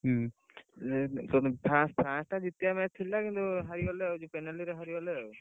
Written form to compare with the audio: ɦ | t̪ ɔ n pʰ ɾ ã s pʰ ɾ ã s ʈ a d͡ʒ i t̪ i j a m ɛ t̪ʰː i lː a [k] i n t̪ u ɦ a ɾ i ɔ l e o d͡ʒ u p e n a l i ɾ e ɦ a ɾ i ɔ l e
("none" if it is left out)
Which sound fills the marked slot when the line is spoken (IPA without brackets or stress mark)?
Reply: k